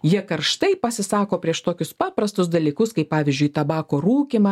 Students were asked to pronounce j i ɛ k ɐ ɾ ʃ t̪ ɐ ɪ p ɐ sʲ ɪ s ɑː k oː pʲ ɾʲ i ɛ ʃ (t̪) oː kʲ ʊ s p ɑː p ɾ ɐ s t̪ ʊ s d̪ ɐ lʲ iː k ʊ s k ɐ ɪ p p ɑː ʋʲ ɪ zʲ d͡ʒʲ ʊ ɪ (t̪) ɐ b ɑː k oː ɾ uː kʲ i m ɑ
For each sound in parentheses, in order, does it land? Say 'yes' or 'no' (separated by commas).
yes, yes